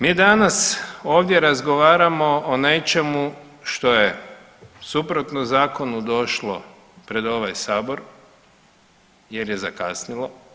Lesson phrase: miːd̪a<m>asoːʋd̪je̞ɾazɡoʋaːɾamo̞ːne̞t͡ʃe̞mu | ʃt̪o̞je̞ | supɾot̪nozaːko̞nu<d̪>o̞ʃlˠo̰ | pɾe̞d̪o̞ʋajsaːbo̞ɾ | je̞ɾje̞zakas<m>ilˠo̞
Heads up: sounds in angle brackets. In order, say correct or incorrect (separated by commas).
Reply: incorrect, correct, incorrect